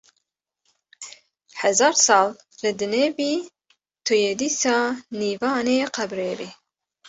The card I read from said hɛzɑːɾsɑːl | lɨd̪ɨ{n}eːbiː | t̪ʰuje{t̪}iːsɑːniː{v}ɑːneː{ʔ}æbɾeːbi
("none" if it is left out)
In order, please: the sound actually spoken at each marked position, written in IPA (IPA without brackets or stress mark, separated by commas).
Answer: n, d̪, v, q